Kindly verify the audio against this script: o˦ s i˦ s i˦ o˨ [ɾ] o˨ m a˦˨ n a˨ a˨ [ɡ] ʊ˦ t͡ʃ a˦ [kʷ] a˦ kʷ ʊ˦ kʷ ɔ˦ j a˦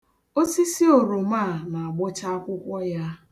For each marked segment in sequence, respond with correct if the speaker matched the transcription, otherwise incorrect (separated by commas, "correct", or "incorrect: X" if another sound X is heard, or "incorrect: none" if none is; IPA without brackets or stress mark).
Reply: correct, incorrect: ɡ͡b, incorrect: none